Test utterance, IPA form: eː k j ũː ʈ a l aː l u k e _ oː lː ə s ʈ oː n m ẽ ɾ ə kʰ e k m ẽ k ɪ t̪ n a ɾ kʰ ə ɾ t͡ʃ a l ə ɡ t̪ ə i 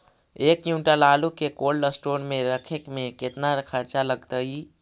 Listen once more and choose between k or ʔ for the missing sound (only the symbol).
k